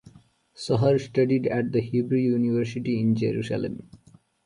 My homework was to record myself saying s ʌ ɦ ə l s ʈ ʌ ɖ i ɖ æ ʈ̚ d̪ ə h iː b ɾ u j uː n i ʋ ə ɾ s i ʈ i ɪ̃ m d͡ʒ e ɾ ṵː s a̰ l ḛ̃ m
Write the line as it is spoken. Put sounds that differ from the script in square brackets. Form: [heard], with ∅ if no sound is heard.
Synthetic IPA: s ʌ ɦ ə [ɾ] s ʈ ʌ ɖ i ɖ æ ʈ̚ d̪ ə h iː b ɾ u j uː n i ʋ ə ɾ s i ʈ i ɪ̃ [n] d͡ʒ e ɾ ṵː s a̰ l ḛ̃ m